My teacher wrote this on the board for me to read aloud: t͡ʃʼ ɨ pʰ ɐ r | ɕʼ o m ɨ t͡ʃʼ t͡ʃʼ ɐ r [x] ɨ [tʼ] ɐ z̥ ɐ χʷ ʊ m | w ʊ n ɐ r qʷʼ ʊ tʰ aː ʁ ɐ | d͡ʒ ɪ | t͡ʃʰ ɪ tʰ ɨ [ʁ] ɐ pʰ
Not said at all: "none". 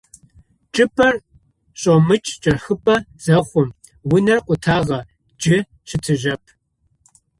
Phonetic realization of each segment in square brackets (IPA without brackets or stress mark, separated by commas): x, pʼ, ʒ